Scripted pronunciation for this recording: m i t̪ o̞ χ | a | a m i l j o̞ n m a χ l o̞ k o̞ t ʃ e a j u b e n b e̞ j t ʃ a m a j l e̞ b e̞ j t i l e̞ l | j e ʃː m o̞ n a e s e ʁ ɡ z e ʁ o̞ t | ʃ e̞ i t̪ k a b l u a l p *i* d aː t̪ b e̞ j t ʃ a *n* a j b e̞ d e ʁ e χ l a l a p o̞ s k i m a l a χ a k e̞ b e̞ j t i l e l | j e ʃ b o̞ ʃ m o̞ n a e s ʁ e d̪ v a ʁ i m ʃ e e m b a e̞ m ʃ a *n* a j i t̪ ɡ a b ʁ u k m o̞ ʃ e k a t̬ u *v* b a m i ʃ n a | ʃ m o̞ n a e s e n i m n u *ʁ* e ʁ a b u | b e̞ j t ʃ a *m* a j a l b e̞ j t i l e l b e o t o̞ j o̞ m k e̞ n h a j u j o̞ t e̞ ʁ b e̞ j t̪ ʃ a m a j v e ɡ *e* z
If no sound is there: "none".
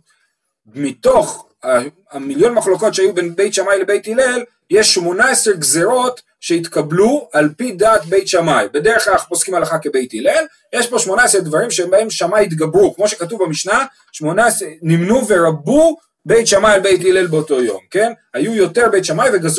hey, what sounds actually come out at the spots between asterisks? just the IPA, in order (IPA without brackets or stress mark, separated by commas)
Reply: i, m, m, v, v, m, a